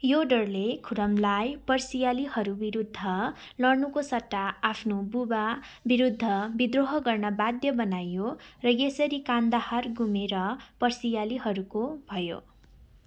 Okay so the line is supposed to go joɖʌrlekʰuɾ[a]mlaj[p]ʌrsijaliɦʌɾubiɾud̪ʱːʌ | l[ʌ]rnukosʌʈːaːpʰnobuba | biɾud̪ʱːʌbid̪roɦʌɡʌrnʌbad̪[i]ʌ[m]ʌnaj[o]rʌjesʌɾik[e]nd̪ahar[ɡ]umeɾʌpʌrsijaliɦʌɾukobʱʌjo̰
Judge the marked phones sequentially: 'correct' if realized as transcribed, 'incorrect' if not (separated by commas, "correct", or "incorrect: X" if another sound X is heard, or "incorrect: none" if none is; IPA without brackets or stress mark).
incorrect: ʌ, correct, correct, incorrect: j, incorrect: b, correct, incorrect: a, correct